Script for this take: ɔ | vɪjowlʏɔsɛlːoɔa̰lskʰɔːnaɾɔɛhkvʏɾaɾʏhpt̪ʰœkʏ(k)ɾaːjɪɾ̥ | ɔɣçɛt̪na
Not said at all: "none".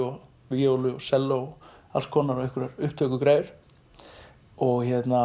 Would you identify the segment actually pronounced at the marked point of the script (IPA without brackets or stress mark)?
k